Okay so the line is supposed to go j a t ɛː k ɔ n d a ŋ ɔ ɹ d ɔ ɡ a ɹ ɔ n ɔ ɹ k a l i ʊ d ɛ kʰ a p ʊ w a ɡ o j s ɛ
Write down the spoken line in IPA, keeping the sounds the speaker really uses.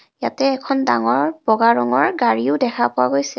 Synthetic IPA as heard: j a t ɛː kʰ ɔ n d a ŋ ɔ ɹ b ɔ ɡ a ɹ ɔ ŋ ɔ ɹ ɡ a ɹ i ʊ d ɛ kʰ a p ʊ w a ɡ o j s ɛ